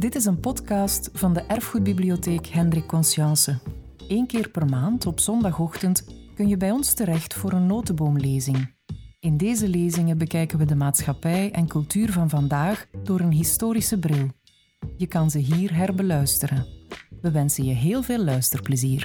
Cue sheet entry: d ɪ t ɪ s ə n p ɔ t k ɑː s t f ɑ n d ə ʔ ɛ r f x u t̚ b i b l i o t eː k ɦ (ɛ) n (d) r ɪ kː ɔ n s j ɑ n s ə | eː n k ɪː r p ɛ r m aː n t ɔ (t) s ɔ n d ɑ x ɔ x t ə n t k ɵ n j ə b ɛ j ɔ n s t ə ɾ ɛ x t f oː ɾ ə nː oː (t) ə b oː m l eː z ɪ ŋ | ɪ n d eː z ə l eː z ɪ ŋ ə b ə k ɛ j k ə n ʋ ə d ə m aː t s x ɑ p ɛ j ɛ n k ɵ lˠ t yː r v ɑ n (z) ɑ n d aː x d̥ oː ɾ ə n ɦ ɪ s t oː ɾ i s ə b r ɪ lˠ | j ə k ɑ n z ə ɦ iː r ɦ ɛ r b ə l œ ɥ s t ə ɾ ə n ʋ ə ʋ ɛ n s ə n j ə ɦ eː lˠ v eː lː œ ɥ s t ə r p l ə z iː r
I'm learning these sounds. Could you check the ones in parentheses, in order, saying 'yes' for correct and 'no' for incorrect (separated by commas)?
yes, yes, no, yes, no